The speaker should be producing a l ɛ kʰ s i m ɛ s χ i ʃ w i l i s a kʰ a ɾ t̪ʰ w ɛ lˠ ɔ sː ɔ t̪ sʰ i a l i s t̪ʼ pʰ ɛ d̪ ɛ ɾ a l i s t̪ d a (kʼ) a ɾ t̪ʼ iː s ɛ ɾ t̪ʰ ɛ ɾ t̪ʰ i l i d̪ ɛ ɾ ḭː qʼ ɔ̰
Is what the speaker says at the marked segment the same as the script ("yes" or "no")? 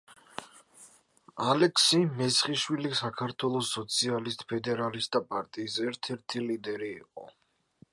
no